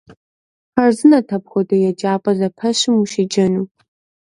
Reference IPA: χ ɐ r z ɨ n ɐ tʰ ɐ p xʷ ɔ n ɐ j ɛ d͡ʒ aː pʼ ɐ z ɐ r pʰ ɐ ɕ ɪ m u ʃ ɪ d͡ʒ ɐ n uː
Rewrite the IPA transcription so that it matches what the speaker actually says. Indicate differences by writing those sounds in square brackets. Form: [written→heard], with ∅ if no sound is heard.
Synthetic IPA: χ ɐ r z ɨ n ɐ tʰ ɐ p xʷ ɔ [n→d] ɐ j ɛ d͡ʒ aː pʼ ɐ z ɐ [r→∅] pʰ ɐ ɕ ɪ m u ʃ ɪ d͡ʒ ɐ n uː